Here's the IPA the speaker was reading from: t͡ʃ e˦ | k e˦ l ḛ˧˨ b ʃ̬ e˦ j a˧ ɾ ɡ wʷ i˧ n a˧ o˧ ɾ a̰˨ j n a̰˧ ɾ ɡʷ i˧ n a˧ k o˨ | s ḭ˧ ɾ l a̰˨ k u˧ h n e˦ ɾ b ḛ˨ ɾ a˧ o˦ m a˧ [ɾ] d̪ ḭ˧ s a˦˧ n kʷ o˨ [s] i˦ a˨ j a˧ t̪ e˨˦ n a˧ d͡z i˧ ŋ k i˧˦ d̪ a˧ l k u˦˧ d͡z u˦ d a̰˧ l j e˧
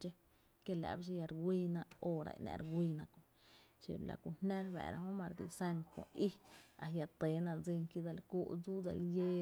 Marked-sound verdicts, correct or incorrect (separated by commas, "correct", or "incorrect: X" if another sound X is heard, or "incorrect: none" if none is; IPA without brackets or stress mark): correct, incorrect: none